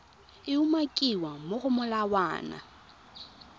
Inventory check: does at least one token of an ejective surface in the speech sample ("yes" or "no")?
yes